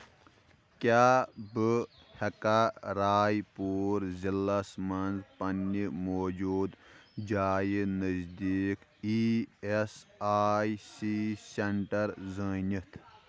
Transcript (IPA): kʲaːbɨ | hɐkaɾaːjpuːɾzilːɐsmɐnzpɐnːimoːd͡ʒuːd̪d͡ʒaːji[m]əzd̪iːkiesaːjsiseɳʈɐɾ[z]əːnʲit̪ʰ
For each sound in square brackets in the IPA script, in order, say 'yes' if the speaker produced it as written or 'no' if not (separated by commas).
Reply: no, yes